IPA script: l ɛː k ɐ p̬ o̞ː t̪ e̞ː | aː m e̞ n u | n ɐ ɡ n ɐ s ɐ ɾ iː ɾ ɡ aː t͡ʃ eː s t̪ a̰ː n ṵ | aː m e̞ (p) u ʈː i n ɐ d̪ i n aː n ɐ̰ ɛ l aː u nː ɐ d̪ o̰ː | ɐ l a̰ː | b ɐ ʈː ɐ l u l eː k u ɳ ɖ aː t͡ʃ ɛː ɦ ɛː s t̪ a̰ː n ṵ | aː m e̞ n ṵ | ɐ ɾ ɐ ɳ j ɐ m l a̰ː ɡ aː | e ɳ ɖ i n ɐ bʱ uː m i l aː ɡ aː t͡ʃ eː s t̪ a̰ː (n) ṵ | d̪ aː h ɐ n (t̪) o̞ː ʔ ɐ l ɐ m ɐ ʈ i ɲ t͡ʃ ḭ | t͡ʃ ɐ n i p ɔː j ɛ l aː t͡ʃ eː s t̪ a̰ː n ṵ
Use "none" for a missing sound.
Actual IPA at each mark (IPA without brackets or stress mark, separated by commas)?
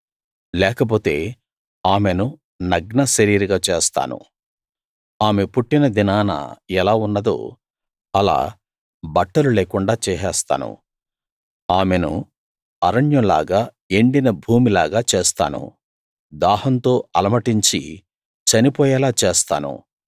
p, n, t̪